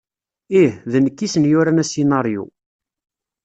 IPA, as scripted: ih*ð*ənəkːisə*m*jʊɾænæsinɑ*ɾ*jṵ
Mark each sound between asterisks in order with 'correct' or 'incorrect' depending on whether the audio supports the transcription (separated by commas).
correct, incorrect, correct